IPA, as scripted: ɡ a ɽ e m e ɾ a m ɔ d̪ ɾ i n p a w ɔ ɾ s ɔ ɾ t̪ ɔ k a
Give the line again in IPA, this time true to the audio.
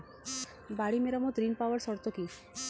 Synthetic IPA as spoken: b a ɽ i m e ɾ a m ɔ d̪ ɾ i n p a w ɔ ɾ s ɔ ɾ t̪ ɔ k i

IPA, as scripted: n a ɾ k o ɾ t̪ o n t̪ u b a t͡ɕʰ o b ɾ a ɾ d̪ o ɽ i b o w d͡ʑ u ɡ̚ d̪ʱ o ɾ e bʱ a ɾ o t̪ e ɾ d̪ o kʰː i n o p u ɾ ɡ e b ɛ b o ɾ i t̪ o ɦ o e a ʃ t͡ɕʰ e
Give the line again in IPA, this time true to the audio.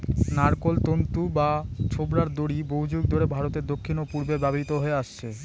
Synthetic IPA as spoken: n a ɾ k o l t̪ o n t̪ u b a t͡ɕʰ o b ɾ a ɾ d̪ o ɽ i b o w d͡ʑ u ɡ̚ d̪ʱ o ɾ e bʱ a ɾ o t̪ e ɾ d̪ o kʰː i n o p u ɾ b e b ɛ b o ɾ i t̪ o ɦ o e a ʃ t͡ɕʰ e

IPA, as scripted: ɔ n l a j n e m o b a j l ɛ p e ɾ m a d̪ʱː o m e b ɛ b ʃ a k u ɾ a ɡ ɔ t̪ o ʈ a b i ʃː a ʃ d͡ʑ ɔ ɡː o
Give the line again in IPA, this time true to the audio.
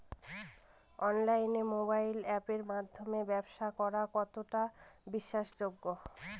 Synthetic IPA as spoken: ɔ n l a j n e m o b a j l ɛ p e ɾ m a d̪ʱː o m e b ɛ b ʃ a k ɔ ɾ a k ɔ t̪ o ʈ a b i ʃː a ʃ d͡ʑ o ɡː o

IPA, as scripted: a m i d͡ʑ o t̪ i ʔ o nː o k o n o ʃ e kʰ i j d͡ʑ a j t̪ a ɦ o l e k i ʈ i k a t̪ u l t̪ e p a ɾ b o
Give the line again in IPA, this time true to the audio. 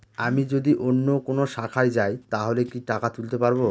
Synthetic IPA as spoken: a m i d͡ʑ o d̪ i ʔ o nː o k o n o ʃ a kʰ a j d͡ʑ a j t̪ a ɦ o l e k i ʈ a k a t̪ u l t̪ e p a ɾ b o

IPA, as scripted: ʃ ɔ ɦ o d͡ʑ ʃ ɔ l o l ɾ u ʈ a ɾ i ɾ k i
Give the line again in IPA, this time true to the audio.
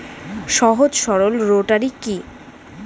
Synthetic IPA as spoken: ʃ ɔ ɦ o d͡ʑ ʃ ɔ ɾ o l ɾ o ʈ a ɾ i k i

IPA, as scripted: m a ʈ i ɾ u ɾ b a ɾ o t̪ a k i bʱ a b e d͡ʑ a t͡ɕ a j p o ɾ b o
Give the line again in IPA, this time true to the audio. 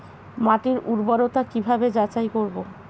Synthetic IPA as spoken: m a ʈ i ɾ u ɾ b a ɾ o t̪ a k i bʱ a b e d͡ʑ a t͡ɕ a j k o ɾ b o

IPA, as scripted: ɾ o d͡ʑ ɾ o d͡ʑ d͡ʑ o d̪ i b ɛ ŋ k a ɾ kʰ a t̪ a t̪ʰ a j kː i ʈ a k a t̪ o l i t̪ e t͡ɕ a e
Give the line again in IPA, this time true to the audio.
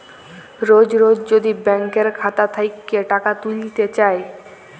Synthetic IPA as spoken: ɾ o d͡ʑ ɾ o d͡ʑ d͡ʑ o d̪ i b ɛ ŋ k e ɾ kʰ a t̪ a t̪ʰ a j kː e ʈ a k a t̪ u l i t̪ e t͡ɕ a e

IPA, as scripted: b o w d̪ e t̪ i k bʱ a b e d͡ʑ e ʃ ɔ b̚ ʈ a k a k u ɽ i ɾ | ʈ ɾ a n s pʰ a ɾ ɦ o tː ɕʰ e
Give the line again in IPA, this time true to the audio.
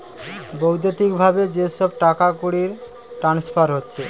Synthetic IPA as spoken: b o w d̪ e t̪ i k bʱ a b e d͡ʑ e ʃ ɔ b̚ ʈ a k a k u ɽ i ɾ | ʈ ɾ a n s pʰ a ɾ ɦ o tː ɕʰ e

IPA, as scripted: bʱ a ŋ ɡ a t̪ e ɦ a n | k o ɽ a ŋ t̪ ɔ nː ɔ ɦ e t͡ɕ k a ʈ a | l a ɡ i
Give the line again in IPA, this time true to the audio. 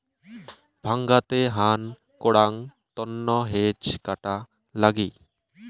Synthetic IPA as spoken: bʱ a ŋ ɡ a t̪ e ɦ a n | k o ɽ a ŋ t̪ ɔ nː ɔ ɦ e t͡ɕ k a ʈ a | l a ɡ i

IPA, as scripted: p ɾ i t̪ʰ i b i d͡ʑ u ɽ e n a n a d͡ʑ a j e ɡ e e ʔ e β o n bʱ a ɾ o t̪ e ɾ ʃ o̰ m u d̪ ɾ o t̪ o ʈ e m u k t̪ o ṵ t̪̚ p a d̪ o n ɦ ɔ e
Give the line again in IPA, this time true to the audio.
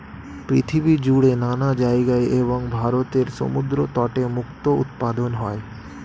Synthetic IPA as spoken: p ɾ i t̪ʰ i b i d͡ʑ u ɽ e n a n a d͡ʑ a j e ɡ a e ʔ e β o ŋ bʱ a ɾ o t̪ e ɾ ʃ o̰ m u d̪ ɾ o t̪ ɔ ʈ e m u k t̪ o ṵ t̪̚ p a d̪ o n ɦ ɔ e

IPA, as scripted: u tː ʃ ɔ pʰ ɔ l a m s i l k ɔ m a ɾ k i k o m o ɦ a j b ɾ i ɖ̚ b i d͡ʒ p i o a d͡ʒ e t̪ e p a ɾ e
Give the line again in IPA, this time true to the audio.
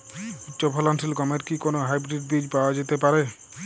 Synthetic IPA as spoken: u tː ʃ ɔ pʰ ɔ l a n s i l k ɔ m e ɾ k i k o n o ɦ a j b ɾ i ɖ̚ b i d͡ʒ p a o a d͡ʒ e t̪ e p a ɾ e

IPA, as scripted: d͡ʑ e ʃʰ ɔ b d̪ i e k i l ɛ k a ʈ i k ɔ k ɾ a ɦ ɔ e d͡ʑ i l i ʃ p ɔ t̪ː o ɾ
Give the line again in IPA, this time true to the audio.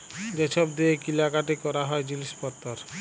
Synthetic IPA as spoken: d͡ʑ e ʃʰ ɔ b d̪ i e k i l a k a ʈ i k ɔ ɾ a ɦ ɔ e d͡ʑ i l i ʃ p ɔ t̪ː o ɾ

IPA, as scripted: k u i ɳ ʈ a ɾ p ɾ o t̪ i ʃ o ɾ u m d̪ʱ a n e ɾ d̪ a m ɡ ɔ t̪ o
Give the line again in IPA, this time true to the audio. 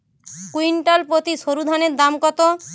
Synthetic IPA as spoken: k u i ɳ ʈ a l p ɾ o t̪ i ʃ o ɾ u d̪ʱ a n e ɾ d̪ a m k ɔ t̪ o

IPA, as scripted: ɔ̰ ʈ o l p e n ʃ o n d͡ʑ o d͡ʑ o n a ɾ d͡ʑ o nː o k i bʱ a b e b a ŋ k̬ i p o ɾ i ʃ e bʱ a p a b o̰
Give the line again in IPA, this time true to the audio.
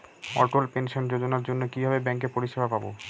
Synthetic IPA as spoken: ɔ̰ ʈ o l p e n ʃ o n d͡ʑ o d͡ʑ o n a ɾ d͡ʑ o nː o k i bʱ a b e b ɛ ŋ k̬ e p o ɾ i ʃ e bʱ a p a b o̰

